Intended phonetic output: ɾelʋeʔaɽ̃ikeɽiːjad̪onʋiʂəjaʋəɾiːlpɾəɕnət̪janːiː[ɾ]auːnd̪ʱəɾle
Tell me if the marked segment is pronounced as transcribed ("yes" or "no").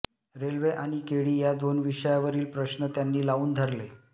no